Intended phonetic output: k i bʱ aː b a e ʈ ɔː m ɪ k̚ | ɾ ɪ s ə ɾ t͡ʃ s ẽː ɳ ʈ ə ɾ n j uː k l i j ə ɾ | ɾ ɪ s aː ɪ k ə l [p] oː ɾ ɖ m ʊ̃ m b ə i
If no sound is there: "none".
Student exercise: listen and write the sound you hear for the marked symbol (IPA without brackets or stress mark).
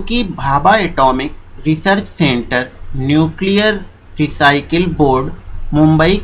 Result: b